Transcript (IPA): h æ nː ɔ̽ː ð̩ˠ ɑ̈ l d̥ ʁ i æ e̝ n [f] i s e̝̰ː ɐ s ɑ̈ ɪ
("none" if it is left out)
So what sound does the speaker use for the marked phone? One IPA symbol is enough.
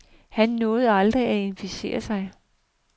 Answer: f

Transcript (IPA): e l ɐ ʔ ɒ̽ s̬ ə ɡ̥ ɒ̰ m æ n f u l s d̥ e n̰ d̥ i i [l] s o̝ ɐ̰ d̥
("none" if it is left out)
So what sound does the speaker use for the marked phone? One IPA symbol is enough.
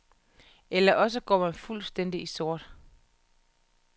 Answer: none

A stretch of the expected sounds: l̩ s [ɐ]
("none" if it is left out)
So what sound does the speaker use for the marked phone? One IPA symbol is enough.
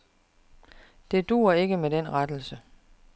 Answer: ə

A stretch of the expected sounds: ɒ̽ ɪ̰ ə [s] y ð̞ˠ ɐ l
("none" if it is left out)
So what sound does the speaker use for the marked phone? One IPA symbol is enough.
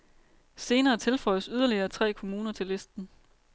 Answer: s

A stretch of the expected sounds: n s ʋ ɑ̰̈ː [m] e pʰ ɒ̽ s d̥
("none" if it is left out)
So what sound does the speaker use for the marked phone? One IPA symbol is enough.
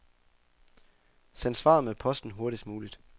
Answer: m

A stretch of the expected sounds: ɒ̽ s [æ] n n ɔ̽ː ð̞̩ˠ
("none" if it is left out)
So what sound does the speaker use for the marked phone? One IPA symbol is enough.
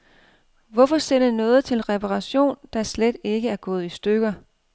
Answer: e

